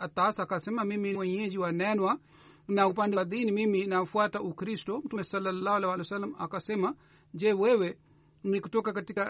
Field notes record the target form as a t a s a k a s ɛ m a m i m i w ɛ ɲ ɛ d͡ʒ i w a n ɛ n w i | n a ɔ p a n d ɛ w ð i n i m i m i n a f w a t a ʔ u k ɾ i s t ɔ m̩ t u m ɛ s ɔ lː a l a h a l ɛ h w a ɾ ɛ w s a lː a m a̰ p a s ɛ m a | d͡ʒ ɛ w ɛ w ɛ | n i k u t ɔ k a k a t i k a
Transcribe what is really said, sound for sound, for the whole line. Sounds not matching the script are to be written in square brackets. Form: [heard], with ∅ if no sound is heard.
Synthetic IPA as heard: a t a s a k a s ɛ m a m i m i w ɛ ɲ ɛ d͡ʒ i w a n ɛ n w [a] | n a [u] p a n d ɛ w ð i n i m i m i n a f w a t a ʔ u k ɾ i s t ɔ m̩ t u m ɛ s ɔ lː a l a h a l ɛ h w a [l] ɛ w s a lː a m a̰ [k] a s ɛ m a | d͡ʒ ɛ w ɛ w ɛ | n i k u t ɔ k a k a t i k a